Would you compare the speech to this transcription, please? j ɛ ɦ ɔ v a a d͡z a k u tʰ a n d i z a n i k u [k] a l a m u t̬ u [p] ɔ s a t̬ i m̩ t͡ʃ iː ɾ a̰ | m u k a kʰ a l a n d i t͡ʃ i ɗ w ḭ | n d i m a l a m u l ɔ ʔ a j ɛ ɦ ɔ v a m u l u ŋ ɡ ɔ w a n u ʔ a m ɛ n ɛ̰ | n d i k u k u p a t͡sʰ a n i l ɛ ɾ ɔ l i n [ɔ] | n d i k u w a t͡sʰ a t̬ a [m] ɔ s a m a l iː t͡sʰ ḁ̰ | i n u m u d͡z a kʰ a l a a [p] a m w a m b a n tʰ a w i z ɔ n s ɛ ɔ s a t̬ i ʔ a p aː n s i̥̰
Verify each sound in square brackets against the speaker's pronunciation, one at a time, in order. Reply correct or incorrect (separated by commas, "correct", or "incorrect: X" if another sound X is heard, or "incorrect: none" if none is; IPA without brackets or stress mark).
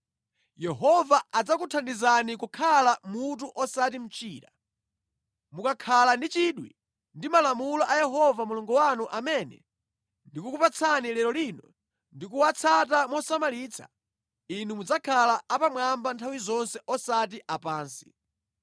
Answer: incorrect: kʰ, incorrect: ʔ, correct, correct, correct